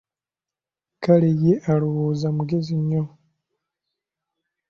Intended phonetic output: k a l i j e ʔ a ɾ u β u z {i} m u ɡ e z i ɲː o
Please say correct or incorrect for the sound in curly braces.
incorrect